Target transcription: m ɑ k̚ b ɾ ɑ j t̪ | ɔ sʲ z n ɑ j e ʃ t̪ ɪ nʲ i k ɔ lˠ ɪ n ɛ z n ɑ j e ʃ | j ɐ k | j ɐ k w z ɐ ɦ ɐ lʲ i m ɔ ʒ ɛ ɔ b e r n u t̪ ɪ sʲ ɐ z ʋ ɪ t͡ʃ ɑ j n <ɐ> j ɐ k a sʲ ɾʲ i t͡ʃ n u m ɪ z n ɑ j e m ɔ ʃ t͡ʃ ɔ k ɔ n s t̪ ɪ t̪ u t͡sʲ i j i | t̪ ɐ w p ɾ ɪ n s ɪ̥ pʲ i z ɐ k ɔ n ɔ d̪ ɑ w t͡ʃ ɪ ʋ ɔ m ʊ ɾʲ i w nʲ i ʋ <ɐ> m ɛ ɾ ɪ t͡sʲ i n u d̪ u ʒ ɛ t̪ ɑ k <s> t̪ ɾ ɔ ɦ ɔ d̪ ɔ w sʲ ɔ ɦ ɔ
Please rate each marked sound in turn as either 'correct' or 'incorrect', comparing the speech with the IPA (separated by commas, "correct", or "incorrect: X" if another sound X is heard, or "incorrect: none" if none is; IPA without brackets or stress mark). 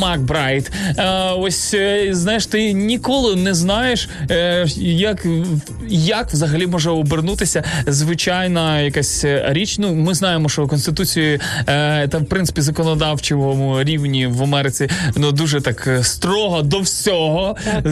correct, correct, correct